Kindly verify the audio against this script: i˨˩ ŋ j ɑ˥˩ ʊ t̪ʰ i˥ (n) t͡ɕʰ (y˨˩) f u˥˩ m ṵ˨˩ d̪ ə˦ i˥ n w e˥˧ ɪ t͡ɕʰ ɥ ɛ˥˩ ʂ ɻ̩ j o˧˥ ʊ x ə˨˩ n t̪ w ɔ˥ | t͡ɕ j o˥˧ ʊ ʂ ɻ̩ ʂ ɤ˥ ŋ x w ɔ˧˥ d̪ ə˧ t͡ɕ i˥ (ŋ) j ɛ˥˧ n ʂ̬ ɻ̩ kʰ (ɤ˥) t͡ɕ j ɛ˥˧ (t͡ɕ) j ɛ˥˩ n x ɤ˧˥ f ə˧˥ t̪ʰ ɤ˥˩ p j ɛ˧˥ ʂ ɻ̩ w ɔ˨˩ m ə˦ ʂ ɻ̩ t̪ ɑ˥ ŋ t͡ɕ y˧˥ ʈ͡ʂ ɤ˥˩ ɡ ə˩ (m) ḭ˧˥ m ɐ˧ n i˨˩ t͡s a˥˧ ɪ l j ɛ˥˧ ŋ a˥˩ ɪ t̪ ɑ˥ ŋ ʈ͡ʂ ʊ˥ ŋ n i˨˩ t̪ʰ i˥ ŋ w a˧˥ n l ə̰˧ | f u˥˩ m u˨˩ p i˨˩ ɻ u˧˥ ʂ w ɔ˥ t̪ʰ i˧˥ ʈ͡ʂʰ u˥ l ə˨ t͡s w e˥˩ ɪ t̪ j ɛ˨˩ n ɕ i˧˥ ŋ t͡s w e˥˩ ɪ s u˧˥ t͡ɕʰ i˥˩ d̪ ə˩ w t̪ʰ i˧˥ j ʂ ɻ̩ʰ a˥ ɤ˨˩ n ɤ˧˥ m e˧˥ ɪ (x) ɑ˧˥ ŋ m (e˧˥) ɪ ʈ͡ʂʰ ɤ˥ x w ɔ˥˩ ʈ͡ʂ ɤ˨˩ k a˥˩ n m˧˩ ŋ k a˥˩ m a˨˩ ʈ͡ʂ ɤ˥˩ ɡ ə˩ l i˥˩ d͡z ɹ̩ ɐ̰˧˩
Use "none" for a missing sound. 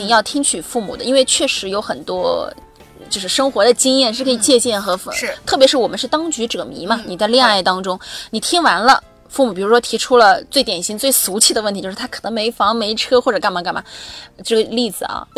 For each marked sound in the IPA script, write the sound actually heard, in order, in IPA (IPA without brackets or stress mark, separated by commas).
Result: ŋ, y˨˩, ŋ, ɤ˧˥˨, t͡ɕ, m, f, e˧˥